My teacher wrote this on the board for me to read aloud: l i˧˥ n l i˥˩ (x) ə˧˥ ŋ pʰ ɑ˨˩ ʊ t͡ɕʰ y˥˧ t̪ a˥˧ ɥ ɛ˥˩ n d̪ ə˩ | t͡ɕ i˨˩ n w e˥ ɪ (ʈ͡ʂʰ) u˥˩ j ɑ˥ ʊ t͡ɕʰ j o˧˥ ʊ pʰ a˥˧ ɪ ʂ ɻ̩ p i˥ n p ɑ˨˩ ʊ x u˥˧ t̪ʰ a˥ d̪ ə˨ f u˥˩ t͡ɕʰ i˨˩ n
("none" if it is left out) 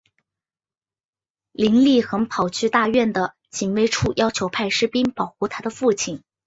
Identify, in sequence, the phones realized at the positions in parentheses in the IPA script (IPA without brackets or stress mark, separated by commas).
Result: x, ʈ͡ʂʰ